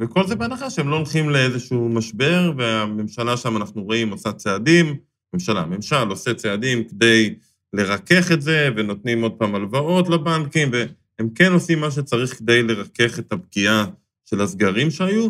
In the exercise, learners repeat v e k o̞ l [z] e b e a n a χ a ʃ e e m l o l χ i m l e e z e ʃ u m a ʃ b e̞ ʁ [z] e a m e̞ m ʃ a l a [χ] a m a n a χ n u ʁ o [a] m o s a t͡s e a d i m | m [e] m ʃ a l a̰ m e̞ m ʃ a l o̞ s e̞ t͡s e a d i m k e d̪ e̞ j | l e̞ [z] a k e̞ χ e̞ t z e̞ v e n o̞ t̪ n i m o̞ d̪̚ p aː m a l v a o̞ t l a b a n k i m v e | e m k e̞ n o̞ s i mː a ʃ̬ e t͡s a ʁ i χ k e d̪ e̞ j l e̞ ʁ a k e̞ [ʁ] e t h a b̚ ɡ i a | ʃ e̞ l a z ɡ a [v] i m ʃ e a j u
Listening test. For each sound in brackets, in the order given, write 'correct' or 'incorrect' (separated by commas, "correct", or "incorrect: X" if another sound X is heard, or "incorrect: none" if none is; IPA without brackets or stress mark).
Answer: correct, incorrect: v, incorrect: ʃ, incorrect: i, correct, incorrect: ʁ, incorrect: χ, incorrect: ʁ